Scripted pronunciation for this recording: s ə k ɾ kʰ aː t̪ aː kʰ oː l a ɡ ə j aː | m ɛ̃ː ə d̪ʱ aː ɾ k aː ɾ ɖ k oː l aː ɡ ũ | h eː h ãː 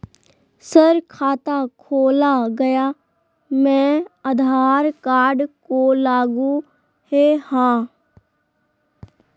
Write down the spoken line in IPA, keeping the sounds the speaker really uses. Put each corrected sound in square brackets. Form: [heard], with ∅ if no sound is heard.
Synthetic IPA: s ə [∅] ɾ kʰ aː t̪ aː kʰ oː l a ɡ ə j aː | m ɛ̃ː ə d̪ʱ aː ɾ k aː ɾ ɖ k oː l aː ɡ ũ | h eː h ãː